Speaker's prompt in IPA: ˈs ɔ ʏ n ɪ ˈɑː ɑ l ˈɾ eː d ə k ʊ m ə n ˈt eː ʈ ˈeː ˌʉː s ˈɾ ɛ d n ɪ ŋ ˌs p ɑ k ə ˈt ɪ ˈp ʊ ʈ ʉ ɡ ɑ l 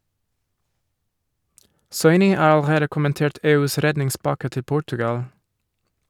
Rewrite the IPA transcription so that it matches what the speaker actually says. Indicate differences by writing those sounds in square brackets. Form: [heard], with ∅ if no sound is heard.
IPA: ˈs ɔ ʏ n ɪ ˈɑː ɑ l ˈɾ eː d ə k ʊ m ə n ˈt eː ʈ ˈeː ˌʉː s ˈɾ ɛ d n ɪ ŋ ˌs p ɑ k ə ˈt ɪ ˈp ʊ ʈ ʉ ɡ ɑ l